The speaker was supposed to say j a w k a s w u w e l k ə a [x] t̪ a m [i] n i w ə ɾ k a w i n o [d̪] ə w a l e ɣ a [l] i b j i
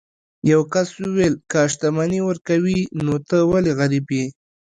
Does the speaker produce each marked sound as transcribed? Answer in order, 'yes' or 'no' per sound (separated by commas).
no, no, no, no